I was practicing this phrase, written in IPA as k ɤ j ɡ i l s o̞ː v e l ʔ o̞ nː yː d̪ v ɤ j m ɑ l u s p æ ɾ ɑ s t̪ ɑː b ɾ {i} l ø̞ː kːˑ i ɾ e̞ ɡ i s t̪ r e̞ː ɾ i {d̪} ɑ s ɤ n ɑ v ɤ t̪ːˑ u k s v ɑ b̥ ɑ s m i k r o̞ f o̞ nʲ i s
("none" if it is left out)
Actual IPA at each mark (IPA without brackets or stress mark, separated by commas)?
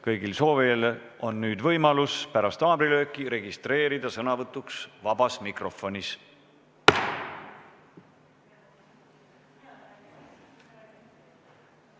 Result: i, d̪